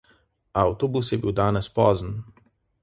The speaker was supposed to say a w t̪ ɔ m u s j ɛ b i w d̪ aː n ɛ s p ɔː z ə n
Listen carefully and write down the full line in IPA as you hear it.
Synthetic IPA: a w t̪ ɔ b u s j ɛ b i w d̪ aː n ɛ s p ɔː z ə n